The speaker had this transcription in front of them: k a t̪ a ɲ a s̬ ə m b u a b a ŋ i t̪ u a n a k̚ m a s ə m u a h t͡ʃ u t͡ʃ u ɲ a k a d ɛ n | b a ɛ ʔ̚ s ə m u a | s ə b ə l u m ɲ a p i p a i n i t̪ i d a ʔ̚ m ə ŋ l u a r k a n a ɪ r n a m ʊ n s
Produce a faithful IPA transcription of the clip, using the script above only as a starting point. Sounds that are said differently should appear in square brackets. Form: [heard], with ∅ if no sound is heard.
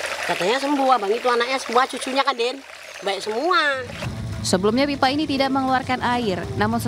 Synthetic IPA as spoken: k a t̪ a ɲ a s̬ ə m b u a b a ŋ i t̪ u a n a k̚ [ɲ] a s ə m u a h t͡ʃ u t͡ʃ u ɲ a k a d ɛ n | b a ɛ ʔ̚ s ə m u a | s ə b ə l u m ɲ a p i p a i n i t̪ i d a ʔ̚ m ə ŋ l u a r k a n a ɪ r n a m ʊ n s